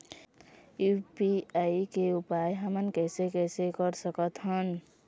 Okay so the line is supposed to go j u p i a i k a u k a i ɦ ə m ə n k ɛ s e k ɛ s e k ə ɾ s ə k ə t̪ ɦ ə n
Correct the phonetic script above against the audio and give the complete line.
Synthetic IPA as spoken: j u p i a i k e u p a j ɦ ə m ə n k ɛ s e k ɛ s e k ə ɾ s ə k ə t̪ ɦ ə n